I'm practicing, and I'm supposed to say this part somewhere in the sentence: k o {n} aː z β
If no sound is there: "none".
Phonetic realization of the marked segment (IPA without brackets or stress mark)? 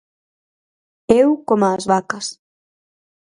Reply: m